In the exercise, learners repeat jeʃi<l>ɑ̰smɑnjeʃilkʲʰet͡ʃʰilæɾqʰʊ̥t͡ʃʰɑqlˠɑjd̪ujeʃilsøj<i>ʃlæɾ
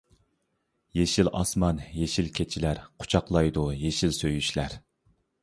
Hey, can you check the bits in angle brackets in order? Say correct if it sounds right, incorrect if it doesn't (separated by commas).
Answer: correct, incorrect